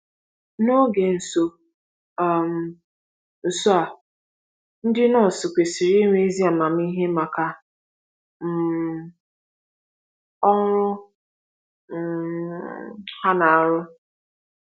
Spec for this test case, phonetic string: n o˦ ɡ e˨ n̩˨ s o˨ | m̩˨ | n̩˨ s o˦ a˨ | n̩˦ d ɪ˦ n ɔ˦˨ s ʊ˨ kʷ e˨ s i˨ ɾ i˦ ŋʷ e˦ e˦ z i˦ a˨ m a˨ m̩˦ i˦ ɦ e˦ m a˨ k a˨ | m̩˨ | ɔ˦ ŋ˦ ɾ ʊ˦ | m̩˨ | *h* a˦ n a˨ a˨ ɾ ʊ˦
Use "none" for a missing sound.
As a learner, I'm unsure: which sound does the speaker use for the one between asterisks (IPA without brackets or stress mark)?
h